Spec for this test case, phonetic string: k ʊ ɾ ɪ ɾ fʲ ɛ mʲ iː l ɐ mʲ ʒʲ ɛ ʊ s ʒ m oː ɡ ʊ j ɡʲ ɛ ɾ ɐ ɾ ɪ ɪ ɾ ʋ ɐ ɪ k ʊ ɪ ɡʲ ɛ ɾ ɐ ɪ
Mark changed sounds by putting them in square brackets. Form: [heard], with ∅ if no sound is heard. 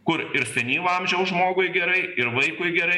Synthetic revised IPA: k ʊ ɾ ɪ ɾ [sʲ] ɛ [nʲ] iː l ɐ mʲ ʒʲ ɛ ʊ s ʒ m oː ɡ ʊ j ɡʲ ɛ ɾ ɐ [∅] ɪ ɪ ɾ ʋ ɐ ɪ k ʊ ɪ ɡʲ ɛ ɾ ɐ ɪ